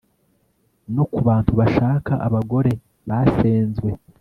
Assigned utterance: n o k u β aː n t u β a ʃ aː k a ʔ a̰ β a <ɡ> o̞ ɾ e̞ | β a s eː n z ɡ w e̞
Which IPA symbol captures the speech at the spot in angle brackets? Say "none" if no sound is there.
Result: ɡ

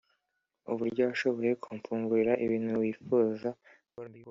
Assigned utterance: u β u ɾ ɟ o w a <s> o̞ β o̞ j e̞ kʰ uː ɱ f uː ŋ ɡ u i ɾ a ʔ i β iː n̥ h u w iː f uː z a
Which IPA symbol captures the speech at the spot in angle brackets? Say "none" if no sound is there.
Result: ʃ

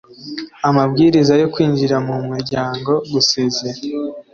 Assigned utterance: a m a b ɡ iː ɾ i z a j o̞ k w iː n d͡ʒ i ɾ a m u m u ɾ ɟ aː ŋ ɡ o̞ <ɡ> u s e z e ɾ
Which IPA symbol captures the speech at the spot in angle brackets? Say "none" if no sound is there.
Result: ɡ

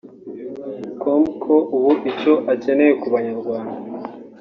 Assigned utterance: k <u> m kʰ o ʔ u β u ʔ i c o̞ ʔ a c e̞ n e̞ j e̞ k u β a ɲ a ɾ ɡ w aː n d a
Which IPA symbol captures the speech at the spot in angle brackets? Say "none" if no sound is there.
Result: o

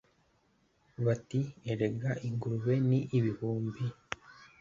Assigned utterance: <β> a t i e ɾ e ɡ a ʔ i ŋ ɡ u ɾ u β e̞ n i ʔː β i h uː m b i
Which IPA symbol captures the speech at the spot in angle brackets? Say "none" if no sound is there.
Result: β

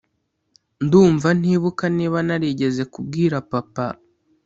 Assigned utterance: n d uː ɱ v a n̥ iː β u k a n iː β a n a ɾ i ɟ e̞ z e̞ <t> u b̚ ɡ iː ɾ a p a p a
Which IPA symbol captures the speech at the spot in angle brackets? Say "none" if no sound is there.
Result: k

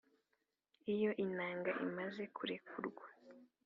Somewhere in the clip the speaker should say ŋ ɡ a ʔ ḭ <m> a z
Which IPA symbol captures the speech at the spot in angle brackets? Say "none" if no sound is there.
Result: m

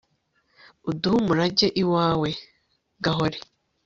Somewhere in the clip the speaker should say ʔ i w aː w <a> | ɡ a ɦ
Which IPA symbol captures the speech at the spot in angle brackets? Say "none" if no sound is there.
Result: e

